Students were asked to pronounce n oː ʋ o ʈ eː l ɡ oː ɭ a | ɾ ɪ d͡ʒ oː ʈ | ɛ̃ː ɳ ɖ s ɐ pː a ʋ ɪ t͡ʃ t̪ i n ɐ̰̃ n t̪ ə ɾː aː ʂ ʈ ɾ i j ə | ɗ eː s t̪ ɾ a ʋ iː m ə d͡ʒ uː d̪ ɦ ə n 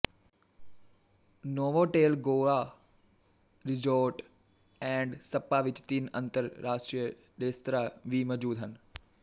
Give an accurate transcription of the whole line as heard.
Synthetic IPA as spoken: n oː ʋ o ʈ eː l ɡ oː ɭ a | ɾ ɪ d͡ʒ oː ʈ | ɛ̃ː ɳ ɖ s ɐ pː a ʋ ɪ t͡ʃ t̪ i n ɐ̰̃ n t̪ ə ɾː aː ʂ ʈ ɾ i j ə | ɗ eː s t̪ ɾ a ʋ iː m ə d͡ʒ uː d̪ ɦ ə n